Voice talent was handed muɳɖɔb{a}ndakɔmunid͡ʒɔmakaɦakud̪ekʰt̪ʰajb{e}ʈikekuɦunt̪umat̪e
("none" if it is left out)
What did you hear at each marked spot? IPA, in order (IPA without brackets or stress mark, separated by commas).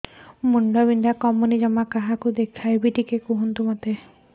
i, i